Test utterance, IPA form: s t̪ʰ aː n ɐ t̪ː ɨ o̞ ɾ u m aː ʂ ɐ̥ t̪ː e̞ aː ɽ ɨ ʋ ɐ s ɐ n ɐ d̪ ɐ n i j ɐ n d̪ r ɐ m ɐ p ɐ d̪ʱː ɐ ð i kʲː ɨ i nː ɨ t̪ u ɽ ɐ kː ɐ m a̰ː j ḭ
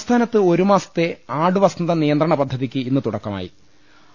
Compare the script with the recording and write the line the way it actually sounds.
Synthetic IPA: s t̪ʰ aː n ɐ t̪ː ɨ o̞ ɾ u m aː s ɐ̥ t̪ː e̞ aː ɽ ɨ ʋ ɐ s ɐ n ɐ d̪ ɐ n i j ɐ n d̪ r ɐ ɳ ɐ p ɐ d̪ʱː ɐ ð i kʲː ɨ i nː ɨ t̪ u ɽ ɐ kː ɐ m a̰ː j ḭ